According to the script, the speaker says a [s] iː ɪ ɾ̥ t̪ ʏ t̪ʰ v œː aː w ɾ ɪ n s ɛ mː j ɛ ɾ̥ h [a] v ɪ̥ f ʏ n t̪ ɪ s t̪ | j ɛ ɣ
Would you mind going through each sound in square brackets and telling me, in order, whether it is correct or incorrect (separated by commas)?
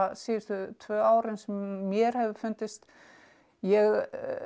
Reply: correct, incorrect